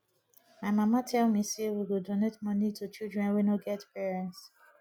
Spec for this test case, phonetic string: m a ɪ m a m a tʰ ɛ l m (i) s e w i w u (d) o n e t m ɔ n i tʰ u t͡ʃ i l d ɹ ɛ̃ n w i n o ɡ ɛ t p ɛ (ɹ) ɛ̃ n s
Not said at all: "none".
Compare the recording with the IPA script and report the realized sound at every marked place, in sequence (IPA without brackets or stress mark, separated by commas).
i, d, ɹ